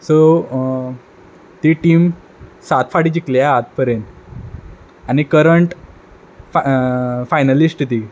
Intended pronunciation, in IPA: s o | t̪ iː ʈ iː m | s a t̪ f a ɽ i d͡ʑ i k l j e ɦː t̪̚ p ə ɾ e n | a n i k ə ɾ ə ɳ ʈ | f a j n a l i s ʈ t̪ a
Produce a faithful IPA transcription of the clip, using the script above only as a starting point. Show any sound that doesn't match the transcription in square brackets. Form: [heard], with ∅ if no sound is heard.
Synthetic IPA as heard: s o | t̪ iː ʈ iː m | s a t̪ f a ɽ i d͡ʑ i k l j [a] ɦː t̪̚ p ə ɾ e n | a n i k ə ɾ ə ɳ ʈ | f a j n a l i s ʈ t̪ [i]